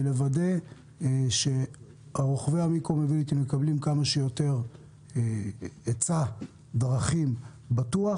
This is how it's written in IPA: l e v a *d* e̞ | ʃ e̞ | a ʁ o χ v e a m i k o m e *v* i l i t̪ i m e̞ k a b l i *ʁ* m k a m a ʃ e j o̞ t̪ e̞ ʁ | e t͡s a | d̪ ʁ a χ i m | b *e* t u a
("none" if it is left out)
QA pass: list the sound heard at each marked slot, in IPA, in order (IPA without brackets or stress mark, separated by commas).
d, v, none, a